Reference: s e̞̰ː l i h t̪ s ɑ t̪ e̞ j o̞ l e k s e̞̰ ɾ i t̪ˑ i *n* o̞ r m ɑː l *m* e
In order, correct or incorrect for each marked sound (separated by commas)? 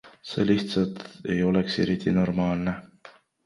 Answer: correct, incorrect